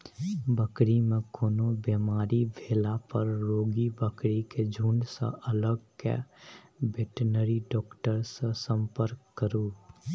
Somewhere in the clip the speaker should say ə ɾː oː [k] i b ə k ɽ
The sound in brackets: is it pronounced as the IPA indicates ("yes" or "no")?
no